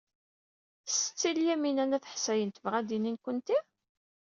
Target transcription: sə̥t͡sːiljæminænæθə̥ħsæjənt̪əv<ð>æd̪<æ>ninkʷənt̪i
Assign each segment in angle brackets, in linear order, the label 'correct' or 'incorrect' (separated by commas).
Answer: incorrect, incorrect